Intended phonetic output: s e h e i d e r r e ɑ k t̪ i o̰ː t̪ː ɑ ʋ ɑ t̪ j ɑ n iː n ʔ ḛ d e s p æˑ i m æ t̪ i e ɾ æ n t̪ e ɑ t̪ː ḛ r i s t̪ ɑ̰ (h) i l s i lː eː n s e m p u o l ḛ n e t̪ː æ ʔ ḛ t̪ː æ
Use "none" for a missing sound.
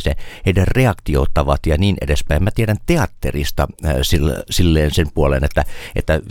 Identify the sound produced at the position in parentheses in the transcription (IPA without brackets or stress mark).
s